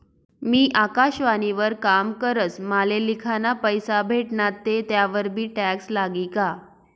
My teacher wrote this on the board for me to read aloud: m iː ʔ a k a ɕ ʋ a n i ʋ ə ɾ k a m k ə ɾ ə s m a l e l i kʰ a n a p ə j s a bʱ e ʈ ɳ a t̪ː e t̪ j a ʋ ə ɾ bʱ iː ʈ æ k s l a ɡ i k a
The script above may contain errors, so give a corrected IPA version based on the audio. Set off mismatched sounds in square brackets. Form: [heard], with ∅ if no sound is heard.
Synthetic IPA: m iː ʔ a k a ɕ ʋ a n i ʋ ə ɾ k a m k ə ɾ ə [t͡s] m a l e l i kʰ a n a p ə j s a bʱ e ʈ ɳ a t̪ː e t̪ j a ʋ ə ɾ bʱ iː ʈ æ k s l a ɡ i k a